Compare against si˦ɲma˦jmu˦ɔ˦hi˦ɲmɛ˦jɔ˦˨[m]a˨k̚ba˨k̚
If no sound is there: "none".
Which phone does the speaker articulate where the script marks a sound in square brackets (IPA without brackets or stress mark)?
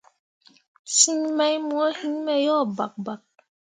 b